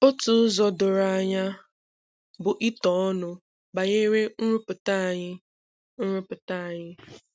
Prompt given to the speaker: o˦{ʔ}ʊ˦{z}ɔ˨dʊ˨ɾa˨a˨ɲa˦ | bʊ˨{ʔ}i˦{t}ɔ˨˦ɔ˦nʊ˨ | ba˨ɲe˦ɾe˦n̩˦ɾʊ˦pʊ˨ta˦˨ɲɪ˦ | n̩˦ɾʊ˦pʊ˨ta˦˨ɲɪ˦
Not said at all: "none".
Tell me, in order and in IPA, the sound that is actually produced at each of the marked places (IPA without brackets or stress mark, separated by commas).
t, z, ʔ, t